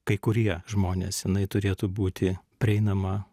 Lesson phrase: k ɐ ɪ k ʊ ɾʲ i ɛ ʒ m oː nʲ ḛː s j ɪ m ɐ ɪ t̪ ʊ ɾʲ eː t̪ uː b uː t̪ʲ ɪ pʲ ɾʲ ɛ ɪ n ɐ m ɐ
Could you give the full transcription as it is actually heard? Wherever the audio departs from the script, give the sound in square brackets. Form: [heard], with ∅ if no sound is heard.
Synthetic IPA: k ɐ ɪ k ʊ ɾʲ i ɛ ʒ m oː nʲ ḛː s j ɪ [n] ɐ ɪ t̪ ʊ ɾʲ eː t̪ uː b uː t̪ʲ ɪ pʲ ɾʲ ɛ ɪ n ɐ m ɐ